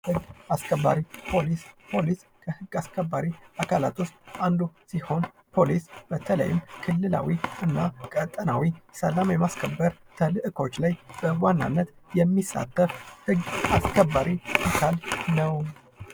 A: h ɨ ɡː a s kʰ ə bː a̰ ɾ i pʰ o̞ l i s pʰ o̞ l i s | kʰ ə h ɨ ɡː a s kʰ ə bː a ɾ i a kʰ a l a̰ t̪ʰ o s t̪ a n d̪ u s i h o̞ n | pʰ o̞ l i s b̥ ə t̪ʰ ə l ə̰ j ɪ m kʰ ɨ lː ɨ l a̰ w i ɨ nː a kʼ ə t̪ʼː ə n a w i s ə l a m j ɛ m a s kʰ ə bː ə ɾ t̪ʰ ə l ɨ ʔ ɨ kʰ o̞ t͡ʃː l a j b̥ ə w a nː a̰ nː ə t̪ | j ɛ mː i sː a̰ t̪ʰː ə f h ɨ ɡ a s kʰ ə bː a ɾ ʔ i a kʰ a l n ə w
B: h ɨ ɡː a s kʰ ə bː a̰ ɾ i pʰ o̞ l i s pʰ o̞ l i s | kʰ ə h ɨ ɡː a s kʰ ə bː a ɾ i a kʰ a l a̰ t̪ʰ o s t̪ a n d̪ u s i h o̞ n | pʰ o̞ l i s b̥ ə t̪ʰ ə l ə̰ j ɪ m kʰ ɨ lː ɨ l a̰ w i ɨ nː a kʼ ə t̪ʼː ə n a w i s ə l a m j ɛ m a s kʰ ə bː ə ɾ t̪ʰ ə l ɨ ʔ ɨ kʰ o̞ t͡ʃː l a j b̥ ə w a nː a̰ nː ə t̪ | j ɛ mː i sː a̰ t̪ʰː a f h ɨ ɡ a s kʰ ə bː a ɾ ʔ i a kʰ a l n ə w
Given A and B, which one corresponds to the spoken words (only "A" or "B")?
A